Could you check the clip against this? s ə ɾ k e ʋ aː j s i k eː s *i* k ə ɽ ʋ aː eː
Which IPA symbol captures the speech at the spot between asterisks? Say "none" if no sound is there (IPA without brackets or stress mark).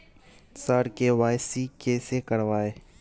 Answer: e